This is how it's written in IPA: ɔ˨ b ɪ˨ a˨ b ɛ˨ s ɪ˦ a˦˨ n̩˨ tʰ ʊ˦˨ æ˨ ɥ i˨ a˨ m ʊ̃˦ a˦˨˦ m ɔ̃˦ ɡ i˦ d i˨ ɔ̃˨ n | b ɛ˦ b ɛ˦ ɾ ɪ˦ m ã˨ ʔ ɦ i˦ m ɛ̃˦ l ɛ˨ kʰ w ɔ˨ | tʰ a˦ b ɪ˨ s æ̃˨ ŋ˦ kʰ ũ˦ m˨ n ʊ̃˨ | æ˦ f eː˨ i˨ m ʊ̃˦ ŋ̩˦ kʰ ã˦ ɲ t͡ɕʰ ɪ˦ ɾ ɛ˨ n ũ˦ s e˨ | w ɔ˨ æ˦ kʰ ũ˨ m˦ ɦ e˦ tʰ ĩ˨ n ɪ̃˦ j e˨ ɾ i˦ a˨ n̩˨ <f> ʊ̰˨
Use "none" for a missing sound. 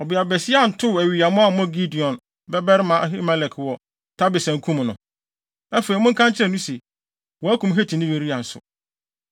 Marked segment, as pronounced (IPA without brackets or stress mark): s